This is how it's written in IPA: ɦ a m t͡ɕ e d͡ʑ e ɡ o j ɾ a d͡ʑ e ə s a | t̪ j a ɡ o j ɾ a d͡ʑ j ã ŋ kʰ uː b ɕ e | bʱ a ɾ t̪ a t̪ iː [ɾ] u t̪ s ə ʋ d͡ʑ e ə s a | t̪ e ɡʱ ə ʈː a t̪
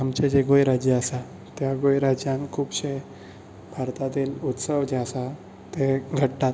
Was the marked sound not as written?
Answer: yes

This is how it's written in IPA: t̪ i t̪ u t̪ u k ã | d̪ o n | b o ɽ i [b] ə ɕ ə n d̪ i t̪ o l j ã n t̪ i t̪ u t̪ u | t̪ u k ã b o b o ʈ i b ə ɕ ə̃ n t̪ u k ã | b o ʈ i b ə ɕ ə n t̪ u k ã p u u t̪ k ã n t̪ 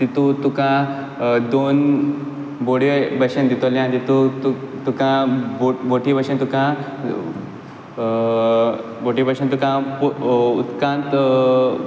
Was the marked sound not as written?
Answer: no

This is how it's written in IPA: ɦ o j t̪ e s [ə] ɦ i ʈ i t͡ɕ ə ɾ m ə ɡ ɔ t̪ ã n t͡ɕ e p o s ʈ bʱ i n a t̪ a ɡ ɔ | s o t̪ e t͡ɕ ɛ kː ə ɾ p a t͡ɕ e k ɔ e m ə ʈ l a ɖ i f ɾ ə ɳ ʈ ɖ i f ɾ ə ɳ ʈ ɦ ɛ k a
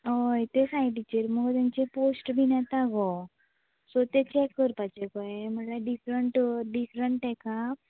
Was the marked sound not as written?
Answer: yes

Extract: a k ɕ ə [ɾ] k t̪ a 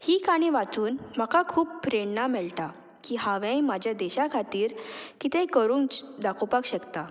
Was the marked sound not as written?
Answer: yes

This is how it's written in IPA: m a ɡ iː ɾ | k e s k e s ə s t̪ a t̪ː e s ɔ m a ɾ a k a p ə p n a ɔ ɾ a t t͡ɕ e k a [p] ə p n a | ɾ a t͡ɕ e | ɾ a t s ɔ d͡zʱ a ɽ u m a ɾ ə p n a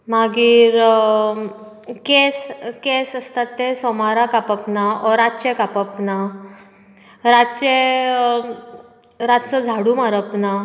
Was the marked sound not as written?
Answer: no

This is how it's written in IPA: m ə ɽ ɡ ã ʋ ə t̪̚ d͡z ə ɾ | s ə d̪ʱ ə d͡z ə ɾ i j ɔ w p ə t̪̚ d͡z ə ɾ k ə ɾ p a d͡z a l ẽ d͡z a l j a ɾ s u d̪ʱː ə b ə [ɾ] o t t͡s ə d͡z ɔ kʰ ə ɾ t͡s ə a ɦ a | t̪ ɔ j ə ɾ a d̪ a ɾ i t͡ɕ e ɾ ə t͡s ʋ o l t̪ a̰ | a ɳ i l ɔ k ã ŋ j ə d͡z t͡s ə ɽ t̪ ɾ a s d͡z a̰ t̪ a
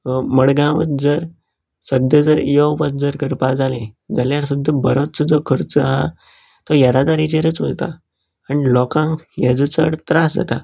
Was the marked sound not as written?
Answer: no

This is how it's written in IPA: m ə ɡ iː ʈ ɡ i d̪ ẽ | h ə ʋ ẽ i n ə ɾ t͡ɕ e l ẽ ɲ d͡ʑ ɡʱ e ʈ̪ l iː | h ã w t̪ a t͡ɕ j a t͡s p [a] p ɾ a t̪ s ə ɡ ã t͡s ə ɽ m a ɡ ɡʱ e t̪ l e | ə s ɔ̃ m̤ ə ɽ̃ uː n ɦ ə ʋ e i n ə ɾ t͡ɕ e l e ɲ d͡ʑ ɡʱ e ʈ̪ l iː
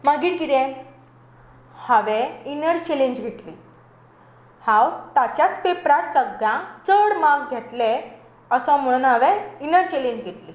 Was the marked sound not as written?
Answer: yes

